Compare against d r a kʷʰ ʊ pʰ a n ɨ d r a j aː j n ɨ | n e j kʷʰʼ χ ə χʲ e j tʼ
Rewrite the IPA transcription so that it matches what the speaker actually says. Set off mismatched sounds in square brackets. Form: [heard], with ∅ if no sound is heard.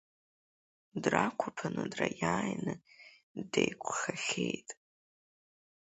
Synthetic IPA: d r a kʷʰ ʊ pʰ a n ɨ d r a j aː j n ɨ | [d] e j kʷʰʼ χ [a] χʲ e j tʼ